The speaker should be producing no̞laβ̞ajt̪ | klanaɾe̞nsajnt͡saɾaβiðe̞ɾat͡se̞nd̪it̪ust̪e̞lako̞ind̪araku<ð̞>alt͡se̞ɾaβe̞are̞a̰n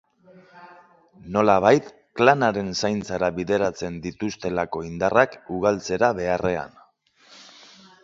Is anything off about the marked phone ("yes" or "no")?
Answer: yes